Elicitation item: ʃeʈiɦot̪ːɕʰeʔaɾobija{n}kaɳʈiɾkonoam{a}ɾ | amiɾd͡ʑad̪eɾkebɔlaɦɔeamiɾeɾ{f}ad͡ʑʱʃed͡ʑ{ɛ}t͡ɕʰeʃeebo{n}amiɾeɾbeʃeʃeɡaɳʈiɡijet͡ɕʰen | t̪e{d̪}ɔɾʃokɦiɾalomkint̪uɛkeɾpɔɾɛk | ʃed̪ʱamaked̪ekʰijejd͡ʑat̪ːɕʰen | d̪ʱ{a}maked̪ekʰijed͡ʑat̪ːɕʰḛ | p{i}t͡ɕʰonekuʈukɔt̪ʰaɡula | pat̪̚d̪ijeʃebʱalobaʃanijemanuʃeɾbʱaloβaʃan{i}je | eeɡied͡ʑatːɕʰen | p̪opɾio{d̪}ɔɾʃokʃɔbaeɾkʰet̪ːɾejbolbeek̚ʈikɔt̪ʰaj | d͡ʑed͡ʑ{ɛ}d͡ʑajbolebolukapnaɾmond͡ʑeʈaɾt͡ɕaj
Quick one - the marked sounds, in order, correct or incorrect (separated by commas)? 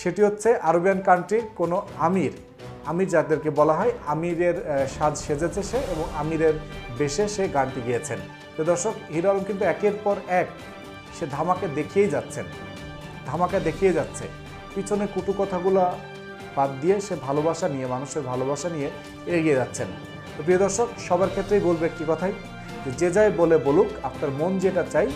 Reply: correct, incorrect, incorrect, incorrect, incorrect, correct, correct, correct, correct, correct, incorrect